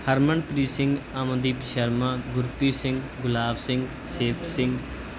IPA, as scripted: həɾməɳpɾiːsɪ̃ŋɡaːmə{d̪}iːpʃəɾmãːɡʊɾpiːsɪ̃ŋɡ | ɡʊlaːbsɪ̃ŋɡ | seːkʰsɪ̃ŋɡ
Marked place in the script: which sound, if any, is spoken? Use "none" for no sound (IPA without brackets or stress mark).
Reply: d̪